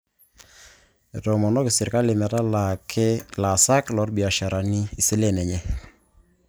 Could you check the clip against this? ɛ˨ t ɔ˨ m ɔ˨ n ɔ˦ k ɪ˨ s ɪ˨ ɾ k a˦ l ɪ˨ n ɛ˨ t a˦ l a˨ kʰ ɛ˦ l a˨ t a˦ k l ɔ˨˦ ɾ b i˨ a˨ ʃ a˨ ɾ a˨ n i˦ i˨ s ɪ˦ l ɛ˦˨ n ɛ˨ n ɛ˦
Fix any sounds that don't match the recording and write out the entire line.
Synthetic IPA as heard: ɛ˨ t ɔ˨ m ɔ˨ n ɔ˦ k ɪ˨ s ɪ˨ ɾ k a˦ l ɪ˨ m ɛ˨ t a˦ l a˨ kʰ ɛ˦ l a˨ s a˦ k l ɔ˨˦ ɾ b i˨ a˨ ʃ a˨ ɾ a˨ n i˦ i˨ s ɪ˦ l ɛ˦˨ n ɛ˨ ɲ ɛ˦